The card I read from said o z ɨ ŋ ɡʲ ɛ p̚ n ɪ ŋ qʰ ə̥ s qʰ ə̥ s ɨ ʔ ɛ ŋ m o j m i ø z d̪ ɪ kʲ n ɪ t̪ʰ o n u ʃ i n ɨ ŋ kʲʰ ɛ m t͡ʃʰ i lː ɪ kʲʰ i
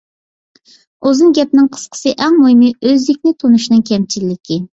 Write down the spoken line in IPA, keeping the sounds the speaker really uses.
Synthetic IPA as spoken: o z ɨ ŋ ɡʲ ɛ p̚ n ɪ ŋ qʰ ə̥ s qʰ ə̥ s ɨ ʔ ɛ ŋ m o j m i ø z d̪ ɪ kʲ n ɪ t̪ʰ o n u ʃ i n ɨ ŋ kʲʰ ɛ m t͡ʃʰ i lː ɪ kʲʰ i

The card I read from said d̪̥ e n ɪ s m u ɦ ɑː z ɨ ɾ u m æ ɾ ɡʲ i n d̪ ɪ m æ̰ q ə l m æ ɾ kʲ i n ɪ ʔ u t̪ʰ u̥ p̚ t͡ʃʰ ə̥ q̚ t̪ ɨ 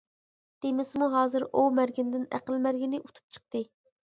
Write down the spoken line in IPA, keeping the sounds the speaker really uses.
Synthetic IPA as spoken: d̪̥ e m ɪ s m u ɦ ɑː z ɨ ɾ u m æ ɾ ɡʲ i n d̪ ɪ n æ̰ q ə l m æ ɾ ɡʲ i n ɪ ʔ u t̪ʰ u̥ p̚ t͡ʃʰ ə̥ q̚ t̪ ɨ

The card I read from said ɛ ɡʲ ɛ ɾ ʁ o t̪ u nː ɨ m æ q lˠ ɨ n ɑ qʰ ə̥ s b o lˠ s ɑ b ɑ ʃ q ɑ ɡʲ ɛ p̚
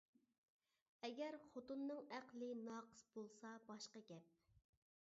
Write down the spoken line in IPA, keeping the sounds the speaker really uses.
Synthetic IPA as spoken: ɛ ɡʲ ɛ ɾ χ o t̪ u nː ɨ ŋ æ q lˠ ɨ n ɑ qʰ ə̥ s b o lˠ s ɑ b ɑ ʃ q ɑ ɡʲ ɛ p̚

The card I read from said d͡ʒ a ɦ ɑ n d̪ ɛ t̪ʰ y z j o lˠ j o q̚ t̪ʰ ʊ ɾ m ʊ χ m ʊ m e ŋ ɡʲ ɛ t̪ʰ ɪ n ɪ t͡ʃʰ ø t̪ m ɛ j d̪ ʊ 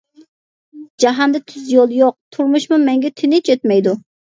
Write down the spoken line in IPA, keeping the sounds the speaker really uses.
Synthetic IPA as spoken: d͡ʒ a ɦ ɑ n d̪ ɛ t̪ʰ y z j o lˠ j o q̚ t̪ʰ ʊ ɾ m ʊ ʃ m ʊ m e ŋ ɡʲ ɛ t̪ʰ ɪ n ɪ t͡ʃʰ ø t̪ m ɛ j d̪ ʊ

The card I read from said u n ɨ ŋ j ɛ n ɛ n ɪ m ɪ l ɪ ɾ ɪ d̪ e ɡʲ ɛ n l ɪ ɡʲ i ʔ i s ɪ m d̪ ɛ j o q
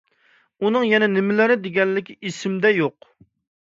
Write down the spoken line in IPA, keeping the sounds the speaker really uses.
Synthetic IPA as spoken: u n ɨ ŋ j ɛ n ɛ n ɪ m ɪ l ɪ ɾ ɪ d̪ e ɡʲ ɛ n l ɪ kʲ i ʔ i s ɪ m d̪ ɛ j o q

